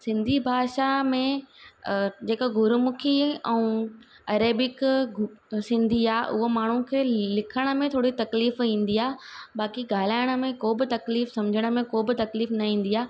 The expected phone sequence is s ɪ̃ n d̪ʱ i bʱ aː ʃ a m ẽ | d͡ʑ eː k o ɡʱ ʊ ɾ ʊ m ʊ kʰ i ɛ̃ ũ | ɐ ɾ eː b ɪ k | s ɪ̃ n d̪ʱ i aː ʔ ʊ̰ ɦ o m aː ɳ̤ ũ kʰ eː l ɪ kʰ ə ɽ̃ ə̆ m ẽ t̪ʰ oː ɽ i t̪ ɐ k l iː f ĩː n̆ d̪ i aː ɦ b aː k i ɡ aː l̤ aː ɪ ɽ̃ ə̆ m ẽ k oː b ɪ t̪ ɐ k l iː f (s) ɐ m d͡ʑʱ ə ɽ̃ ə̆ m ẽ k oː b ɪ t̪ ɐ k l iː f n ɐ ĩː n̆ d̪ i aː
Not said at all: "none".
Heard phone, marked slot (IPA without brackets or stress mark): s